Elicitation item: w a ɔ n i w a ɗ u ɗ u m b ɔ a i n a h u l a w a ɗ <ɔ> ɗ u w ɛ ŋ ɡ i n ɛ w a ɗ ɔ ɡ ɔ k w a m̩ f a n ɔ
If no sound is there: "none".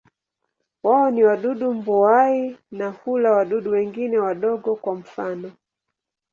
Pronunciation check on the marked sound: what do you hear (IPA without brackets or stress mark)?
u